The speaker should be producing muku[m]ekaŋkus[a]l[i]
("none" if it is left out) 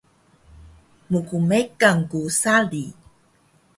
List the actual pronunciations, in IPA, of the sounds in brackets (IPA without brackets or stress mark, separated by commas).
m, a, i